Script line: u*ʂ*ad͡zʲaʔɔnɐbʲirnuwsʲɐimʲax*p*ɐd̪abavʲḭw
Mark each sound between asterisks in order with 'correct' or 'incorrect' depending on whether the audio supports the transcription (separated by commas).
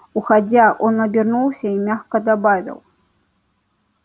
incorrect, incorrect